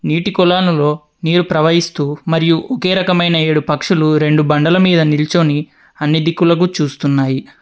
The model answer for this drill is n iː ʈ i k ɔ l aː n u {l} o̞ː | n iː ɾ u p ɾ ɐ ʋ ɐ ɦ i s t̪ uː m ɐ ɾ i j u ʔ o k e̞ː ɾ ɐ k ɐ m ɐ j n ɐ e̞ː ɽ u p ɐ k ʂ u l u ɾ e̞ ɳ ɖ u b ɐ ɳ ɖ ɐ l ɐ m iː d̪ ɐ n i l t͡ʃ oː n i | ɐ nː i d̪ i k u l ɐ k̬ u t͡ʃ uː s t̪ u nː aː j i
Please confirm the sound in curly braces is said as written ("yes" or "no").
yes